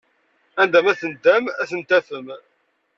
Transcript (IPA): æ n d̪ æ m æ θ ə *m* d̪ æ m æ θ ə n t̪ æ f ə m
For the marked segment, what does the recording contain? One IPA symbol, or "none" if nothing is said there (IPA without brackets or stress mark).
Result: n